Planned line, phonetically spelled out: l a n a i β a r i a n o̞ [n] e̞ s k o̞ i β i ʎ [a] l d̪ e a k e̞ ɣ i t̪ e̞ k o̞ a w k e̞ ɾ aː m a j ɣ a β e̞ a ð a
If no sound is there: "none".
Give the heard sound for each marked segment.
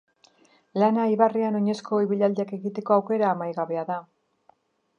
ɲ, a

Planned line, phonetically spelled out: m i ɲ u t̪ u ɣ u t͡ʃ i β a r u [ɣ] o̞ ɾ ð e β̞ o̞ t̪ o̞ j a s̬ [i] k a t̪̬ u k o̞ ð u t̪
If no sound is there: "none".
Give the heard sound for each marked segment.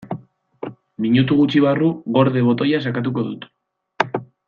ɣ, a

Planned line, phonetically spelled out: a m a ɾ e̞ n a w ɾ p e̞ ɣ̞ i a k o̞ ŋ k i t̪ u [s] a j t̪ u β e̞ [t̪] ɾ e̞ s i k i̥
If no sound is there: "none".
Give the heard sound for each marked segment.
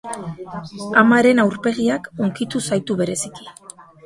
s, none

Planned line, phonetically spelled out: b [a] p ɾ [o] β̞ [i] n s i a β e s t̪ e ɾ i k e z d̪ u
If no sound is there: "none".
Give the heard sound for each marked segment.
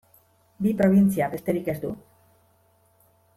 i, o, i

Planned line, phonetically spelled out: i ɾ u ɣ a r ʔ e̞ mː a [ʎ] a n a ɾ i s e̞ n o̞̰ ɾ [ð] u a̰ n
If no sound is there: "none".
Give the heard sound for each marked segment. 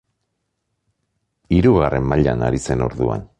ʎ, ð

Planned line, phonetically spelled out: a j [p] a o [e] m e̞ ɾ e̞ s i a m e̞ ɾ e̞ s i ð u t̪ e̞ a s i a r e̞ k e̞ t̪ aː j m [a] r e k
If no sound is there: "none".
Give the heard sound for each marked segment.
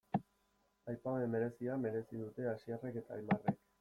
p, e, a

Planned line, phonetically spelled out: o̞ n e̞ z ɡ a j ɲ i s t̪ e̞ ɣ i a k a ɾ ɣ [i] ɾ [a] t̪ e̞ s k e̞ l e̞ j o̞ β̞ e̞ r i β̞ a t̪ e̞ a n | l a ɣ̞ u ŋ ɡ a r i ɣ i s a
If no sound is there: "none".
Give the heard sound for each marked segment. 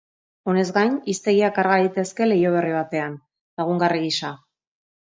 a, i

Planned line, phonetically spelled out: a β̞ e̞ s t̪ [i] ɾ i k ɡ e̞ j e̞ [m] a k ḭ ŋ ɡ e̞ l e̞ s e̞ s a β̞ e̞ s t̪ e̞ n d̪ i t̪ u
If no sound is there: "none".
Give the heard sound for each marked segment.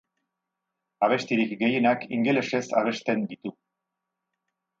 i, n

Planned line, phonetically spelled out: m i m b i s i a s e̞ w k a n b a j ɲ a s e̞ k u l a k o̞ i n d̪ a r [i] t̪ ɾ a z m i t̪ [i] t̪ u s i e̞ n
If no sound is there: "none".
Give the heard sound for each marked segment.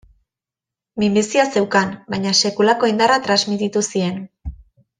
a, i

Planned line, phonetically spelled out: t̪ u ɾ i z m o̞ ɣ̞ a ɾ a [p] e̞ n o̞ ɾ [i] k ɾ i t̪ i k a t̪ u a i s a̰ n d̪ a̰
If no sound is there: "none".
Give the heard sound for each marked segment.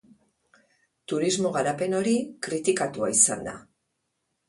p, i

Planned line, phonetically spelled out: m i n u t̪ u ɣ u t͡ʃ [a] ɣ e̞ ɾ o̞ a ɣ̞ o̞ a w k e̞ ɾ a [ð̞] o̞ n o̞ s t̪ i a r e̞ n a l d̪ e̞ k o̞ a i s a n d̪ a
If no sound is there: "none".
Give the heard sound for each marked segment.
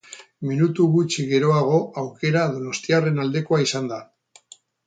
i, ð̞

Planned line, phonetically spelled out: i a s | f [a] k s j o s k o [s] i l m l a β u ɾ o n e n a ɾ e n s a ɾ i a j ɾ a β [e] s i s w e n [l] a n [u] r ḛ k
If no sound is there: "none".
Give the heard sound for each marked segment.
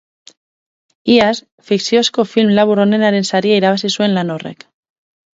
i, f, a, l, o

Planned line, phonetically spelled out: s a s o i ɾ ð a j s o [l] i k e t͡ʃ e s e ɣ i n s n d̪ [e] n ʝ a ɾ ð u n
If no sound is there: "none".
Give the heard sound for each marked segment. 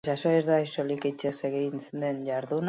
l, e

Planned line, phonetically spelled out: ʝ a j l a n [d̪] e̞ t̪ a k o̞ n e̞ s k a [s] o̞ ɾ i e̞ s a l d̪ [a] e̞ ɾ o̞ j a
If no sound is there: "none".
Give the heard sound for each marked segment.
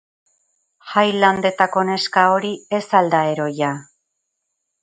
d̪, none, a

